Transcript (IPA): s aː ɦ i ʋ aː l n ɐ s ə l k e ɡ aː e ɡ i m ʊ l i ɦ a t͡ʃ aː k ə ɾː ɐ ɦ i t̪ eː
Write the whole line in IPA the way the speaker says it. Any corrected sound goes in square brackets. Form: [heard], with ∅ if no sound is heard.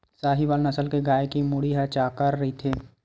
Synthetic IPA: s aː ɦ i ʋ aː l n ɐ s ə l k e ɡ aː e [k] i m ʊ [ɽ] i ɦ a t͡ʃ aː k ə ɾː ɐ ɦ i [t̪ʰ] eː